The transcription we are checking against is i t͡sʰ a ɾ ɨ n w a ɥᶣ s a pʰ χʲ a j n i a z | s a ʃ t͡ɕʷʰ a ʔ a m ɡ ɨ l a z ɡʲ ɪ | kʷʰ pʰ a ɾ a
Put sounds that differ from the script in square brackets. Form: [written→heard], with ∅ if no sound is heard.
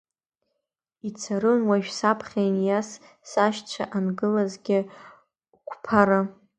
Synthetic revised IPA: i t͡sʰ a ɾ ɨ n w a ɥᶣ s a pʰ χʲ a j n [i→j] a [z→s] | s a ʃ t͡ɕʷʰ a ʔ a [m→n] ɡ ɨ l a z ɡʲ ɪ | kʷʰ pʰ a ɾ a